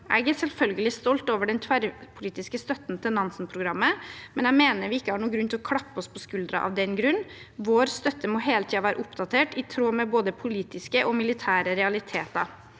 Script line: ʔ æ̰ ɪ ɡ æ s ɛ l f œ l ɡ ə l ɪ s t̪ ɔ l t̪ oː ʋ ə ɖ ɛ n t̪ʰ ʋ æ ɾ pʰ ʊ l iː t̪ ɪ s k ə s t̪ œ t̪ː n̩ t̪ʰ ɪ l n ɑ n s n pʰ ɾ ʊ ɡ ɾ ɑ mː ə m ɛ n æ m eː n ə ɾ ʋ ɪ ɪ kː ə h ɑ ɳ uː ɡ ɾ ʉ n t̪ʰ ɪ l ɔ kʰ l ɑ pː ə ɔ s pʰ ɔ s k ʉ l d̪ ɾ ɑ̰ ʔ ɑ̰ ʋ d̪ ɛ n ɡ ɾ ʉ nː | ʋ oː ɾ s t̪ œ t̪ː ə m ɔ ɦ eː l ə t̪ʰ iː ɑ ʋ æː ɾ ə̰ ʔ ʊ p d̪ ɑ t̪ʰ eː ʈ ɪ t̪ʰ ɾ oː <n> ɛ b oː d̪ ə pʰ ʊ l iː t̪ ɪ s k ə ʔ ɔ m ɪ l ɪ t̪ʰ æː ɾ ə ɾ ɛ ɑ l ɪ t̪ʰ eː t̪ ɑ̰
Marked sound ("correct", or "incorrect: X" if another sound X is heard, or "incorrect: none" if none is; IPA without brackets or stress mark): incorrect: m